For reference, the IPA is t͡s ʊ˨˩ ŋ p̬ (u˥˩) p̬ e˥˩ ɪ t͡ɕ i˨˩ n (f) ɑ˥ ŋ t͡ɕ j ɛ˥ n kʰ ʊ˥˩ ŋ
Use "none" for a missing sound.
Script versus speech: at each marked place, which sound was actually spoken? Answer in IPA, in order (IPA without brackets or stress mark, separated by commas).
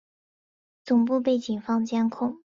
u˥˧, f